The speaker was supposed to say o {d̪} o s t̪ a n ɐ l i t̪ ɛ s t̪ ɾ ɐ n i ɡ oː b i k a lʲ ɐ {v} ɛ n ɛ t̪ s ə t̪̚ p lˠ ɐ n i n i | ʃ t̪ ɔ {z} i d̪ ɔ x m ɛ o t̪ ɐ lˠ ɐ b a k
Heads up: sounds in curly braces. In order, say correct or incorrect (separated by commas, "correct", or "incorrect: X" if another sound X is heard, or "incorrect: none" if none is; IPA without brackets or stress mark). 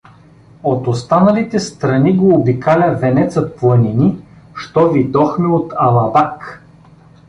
incorrect: t̪, correct, incorrect: v